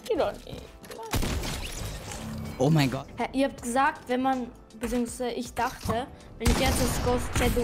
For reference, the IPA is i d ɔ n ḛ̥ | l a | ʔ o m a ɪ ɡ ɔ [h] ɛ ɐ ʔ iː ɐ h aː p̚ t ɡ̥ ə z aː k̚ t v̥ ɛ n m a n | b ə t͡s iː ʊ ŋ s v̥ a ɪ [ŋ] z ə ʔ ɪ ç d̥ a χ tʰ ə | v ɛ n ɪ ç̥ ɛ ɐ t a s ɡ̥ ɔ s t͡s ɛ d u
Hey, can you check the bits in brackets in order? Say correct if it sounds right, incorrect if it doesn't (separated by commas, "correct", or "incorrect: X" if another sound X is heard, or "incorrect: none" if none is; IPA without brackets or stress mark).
correct, incorrect: none